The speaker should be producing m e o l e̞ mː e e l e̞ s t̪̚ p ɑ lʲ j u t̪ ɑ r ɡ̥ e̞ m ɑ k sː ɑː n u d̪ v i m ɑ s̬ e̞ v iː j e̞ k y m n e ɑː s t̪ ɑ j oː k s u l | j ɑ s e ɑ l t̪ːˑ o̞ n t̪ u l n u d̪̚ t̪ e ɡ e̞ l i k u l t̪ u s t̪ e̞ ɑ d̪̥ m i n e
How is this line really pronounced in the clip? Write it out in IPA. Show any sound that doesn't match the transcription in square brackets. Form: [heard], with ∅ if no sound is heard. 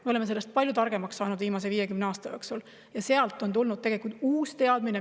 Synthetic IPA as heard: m e o l e̞ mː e e l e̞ s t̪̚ p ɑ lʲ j u t̪ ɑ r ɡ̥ e̞ m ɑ k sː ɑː n u d̪ v [iː] m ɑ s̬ e̞ v iː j e̞ k y m n e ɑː s t̪ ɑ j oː k s u l | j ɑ s e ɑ l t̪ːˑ o̞ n t̪ u l n u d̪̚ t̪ e ɡ e̞ l i k u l t̪ [uː] s t̪ e̞ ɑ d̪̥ m i n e